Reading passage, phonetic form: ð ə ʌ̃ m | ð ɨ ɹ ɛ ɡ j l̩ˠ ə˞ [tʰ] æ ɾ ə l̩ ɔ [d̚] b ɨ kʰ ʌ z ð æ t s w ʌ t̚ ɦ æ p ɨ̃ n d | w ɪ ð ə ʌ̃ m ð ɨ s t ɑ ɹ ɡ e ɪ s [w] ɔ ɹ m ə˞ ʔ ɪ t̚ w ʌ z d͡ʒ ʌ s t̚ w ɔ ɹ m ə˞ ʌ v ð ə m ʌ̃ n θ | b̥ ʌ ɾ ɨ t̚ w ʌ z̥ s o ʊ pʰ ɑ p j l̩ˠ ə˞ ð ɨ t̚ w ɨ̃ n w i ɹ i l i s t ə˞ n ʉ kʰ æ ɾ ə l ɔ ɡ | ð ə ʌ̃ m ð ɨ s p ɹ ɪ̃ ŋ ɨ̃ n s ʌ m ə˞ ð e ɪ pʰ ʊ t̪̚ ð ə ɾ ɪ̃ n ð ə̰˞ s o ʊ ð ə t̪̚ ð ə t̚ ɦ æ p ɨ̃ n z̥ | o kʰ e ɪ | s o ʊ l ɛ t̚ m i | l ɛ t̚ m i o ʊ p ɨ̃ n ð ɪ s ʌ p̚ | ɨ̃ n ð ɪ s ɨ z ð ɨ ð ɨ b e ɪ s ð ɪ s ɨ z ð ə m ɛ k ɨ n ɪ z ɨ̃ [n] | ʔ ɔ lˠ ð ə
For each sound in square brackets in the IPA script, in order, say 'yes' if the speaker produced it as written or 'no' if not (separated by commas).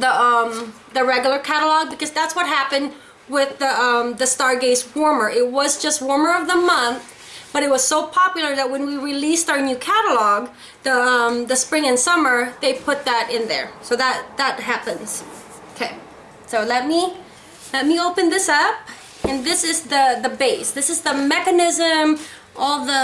no, no, yes, no